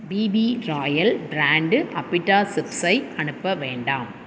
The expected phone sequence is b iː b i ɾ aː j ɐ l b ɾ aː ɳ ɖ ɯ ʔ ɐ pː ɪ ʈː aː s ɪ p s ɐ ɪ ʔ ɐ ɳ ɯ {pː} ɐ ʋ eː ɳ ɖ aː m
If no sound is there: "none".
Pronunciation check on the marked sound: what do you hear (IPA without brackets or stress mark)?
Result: pː